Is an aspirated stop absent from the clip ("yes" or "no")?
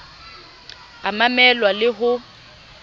yes